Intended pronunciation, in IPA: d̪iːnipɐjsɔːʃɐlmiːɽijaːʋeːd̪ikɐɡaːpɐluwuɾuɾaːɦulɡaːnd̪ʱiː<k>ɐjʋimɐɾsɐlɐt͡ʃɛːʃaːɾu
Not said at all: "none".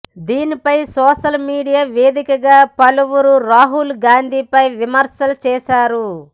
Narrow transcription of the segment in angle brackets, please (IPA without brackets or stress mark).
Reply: p